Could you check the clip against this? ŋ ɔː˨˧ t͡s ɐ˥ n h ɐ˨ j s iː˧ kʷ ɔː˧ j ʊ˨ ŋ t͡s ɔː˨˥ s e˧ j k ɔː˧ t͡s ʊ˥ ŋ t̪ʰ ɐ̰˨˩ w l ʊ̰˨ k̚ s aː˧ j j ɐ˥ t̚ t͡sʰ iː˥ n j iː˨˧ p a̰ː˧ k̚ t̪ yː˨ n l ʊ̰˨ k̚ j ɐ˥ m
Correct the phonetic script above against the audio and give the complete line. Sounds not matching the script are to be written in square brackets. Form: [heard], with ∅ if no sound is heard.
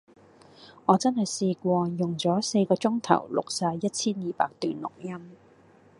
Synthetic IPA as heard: ŋ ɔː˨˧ t͡s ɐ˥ n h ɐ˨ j s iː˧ kʷ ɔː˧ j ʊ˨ ŋ t͡s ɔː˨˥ s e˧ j k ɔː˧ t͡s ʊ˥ ŋ t̪ʰ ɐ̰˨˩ w l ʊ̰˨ k̚ s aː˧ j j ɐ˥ t̚ t͡sʰ iː˥ n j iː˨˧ p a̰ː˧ k̚ t̪ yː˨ n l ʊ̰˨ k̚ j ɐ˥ m